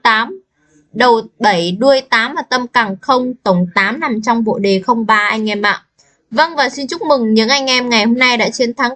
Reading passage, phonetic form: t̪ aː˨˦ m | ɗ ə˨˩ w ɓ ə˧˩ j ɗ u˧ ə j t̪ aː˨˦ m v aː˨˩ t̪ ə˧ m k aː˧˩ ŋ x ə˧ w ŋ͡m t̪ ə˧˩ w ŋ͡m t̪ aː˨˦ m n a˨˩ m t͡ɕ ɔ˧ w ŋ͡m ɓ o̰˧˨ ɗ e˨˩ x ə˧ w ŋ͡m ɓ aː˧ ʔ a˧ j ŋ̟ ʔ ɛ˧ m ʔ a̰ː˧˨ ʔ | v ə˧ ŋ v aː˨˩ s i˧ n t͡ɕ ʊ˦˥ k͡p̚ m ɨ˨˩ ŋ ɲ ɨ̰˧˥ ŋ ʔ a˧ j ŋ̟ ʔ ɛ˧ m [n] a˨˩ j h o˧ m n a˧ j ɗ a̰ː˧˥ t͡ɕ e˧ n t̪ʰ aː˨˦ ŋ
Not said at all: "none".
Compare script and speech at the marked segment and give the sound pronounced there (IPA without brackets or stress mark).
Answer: ŋ